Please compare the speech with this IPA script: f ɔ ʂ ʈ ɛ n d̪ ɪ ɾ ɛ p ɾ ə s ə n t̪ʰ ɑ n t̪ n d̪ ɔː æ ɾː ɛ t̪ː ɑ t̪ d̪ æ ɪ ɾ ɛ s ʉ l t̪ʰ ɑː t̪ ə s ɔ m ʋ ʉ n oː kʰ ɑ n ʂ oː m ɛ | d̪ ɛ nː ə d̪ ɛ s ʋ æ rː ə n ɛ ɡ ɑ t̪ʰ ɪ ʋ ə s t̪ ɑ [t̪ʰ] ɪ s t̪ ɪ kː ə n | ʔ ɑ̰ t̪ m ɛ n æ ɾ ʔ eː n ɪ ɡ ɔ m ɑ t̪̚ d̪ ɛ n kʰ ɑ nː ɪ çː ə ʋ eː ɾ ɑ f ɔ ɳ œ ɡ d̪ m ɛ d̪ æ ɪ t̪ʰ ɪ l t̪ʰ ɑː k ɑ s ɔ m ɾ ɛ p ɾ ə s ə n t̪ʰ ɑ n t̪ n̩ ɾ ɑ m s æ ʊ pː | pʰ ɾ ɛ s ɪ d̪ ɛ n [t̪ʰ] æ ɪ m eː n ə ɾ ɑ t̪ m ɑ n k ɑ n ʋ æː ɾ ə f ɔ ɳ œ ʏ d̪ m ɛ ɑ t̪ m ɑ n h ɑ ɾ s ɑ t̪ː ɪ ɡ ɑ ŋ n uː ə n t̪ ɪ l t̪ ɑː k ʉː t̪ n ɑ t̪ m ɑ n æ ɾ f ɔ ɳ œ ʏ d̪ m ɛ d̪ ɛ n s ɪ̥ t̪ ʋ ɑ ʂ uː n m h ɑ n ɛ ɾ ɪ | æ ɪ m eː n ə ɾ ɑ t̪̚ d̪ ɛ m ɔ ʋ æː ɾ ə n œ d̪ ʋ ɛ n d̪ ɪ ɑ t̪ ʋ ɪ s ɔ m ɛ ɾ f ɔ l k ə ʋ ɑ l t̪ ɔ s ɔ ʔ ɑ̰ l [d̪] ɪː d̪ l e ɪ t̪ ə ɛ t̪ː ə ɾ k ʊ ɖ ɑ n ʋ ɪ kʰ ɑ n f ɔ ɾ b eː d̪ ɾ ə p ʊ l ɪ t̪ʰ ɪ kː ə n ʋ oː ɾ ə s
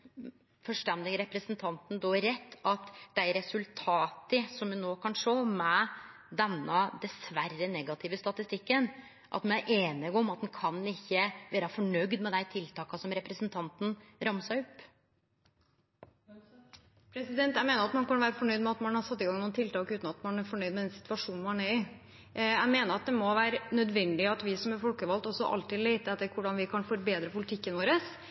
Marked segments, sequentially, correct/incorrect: incorrect: t̪, incorrect: t̪, incorrect: t̪

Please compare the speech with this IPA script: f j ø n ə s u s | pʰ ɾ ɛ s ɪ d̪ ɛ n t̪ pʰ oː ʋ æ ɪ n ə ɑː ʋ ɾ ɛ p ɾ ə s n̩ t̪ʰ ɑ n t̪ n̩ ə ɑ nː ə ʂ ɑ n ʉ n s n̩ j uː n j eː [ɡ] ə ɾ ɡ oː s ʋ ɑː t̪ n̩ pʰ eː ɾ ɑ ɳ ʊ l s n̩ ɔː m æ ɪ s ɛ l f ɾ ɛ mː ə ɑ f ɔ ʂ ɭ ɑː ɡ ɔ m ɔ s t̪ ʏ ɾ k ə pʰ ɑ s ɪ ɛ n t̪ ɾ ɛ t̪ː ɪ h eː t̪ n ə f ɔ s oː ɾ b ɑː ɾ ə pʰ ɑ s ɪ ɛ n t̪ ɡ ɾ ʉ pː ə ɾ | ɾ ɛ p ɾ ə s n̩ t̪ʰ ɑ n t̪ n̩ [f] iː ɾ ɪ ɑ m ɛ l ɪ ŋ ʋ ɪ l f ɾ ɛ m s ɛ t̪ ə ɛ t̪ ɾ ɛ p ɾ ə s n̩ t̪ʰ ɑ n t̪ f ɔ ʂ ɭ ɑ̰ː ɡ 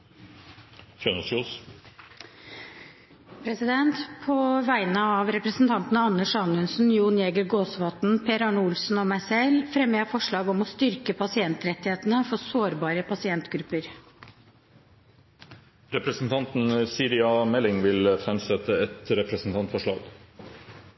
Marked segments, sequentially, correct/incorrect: correct, incorrect: s

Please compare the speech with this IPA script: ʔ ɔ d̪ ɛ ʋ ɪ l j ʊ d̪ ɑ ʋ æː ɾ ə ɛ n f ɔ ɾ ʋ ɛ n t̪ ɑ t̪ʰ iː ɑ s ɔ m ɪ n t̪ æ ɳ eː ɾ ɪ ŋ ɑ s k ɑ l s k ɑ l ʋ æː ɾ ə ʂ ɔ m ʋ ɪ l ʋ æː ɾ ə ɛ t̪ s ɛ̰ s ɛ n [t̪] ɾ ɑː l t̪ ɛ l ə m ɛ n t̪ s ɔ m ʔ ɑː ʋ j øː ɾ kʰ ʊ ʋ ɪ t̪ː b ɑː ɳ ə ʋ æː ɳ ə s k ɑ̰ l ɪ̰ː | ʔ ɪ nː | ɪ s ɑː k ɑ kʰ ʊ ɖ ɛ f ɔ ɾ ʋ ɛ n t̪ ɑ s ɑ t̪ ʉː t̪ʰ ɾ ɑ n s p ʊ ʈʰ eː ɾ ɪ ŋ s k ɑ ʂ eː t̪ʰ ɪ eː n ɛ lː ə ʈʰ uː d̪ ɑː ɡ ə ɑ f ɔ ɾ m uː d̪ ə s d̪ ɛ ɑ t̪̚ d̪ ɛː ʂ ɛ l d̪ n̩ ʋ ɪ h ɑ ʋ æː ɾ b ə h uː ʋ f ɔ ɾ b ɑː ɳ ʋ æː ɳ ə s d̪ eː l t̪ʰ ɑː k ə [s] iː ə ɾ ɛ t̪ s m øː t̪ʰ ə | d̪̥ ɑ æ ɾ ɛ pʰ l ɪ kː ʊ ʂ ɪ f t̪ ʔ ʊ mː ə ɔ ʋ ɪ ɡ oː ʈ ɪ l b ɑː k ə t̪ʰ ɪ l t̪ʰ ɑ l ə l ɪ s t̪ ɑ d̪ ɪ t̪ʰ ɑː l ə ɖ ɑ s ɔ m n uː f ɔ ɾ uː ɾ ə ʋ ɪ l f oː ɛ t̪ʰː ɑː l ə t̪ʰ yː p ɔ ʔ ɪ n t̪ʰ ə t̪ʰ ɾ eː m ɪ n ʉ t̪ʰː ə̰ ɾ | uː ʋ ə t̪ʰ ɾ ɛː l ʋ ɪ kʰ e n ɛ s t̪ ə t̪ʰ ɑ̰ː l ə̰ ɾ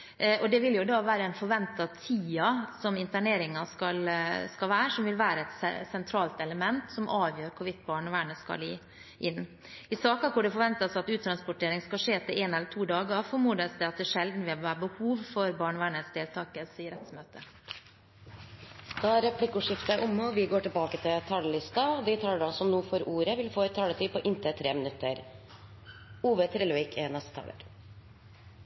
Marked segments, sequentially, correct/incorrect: incorrect: t̪ʰ, correct

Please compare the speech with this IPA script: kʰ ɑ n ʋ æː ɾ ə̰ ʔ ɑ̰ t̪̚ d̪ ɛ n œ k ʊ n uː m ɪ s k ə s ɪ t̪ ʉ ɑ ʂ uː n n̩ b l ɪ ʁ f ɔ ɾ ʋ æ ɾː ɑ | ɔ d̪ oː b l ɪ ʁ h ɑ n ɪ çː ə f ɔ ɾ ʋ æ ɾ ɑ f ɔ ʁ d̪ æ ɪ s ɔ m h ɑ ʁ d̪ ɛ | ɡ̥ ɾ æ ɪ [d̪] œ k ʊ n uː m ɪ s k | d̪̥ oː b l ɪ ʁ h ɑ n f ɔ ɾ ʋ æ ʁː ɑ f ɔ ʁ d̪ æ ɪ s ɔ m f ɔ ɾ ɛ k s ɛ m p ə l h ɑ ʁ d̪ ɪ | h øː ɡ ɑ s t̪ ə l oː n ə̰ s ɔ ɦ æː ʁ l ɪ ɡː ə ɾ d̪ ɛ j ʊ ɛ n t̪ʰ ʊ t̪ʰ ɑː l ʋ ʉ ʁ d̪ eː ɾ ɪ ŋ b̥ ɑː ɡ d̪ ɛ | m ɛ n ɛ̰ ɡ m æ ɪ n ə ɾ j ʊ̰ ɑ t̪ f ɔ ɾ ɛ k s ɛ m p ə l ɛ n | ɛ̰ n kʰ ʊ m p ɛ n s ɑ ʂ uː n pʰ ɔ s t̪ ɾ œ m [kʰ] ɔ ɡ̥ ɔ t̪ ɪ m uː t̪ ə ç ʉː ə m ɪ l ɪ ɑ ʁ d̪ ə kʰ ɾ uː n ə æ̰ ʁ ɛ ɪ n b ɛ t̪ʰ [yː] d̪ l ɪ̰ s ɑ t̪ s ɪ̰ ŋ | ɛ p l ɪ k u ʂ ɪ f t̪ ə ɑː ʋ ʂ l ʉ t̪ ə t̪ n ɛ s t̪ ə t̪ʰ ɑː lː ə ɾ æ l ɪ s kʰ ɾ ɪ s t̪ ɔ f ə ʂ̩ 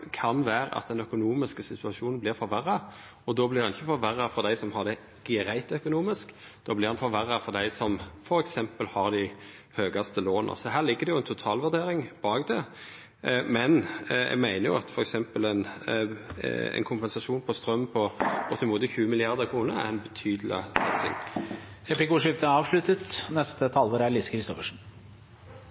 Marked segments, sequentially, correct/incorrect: incorrect: t̪, incorrect: pʰ, correct

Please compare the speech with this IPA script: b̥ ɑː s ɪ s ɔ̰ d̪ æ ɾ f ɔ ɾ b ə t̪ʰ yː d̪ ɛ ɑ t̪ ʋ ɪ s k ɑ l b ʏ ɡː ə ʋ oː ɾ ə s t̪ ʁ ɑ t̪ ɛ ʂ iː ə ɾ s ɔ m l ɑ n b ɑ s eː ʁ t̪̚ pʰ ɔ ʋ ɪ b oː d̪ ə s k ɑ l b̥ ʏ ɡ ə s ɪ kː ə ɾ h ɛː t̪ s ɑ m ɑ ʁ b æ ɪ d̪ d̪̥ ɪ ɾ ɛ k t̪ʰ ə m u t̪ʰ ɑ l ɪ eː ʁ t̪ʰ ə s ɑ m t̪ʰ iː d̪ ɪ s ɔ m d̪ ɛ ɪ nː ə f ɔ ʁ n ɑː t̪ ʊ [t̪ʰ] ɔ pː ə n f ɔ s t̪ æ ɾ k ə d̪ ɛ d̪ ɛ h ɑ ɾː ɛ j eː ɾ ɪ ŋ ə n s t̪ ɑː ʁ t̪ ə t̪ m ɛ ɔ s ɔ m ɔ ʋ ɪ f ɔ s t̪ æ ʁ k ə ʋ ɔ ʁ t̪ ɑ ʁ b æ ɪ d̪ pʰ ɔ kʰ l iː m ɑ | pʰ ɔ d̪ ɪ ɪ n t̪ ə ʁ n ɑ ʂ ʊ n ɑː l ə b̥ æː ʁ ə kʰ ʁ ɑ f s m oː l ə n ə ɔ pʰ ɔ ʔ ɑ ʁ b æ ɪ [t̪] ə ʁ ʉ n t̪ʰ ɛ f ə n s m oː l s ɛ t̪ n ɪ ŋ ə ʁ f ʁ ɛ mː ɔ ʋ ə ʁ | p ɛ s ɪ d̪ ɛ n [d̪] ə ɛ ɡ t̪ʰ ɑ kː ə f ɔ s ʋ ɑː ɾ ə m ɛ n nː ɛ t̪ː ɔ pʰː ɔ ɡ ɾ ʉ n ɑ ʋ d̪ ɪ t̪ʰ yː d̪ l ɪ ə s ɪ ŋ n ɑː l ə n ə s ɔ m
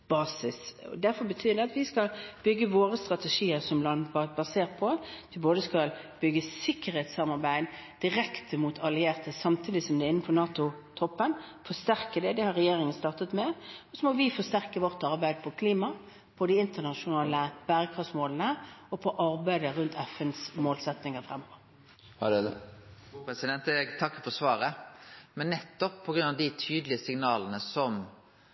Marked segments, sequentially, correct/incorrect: correct, incorrect: d̪, incorrect: t̪

